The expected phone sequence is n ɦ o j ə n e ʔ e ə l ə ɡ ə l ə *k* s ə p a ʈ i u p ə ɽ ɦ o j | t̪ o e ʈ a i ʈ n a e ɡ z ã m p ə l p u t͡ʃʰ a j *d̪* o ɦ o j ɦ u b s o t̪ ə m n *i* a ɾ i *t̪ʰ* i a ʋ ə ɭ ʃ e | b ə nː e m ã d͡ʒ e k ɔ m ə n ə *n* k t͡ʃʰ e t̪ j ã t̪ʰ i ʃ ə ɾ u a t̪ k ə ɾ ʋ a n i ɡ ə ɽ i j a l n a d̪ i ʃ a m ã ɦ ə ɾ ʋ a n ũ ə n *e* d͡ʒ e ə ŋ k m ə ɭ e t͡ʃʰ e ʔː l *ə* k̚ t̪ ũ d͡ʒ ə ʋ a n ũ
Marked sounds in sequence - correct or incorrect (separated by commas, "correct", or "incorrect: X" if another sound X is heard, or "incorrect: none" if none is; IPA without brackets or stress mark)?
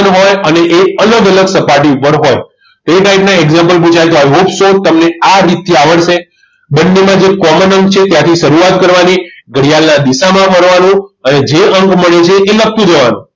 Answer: incorrect: ɡ, incorrect: t̪, incorrect: e, incorrect: t̪, incorrect: ŋ, correct, correct